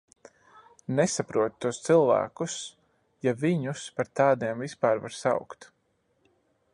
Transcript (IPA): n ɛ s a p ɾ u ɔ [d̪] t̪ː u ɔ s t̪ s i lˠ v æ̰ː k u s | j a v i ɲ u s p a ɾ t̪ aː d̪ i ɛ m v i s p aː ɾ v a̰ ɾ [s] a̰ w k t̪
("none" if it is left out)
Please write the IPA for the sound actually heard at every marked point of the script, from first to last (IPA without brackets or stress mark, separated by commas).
t̪, s